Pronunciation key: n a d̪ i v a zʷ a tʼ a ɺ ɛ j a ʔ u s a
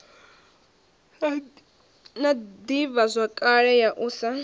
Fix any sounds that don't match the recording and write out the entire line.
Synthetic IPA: n a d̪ i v a zʷ a kʼ a ɺ ɛ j a ʔ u s a